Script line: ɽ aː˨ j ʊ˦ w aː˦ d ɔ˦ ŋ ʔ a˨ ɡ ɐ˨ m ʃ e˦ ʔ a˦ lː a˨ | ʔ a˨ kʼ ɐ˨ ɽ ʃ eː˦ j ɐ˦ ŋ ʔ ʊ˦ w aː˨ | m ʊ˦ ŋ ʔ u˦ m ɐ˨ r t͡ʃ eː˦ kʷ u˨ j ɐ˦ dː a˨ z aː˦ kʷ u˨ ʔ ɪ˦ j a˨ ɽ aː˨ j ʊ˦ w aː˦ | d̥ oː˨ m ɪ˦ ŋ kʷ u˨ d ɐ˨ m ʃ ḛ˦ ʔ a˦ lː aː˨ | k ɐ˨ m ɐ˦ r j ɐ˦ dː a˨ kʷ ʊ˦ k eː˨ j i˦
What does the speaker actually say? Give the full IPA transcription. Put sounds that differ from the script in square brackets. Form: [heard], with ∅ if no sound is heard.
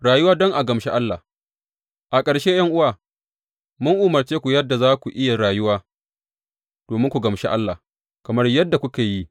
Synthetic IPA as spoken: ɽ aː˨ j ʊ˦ w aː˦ d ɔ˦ ŋ ʔ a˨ ɡ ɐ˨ m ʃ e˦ ʔ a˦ lː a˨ | ʔ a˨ kʼ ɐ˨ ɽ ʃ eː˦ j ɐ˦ ŋ ʔ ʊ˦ w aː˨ | m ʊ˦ ŋ ʔ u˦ m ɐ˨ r t͡ʃ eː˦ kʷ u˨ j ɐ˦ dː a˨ z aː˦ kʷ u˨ ʔ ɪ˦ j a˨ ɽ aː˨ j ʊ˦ w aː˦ | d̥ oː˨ m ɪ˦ ŋ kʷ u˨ [ɡ] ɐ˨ m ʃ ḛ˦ ʔ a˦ lː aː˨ | k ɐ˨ m ɐ˦ r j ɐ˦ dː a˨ kʷ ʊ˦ k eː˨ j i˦